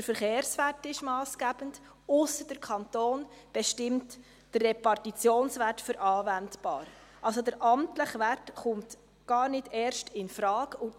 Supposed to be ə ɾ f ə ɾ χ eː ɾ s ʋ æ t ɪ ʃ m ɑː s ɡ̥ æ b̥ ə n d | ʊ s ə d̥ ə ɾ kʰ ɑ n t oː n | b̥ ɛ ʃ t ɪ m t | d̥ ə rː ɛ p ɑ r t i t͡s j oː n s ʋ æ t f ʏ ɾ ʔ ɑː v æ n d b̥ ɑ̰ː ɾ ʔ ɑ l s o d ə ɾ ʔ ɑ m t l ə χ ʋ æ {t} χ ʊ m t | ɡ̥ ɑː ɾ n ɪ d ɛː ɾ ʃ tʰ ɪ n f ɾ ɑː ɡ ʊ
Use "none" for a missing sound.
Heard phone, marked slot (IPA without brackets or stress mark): t